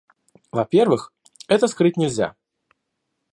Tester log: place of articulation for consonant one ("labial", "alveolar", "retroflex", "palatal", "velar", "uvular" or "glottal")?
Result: labial